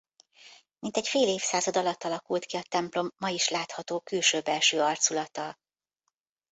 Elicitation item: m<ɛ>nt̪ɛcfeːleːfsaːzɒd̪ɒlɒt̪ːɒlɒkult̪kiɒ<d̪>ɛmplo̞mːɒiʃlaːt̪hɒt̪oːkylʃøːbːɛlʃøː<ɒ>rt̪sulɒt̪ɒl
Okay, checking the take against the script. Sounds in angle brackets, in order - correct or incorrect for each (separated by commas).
incorrect, incorrect, correct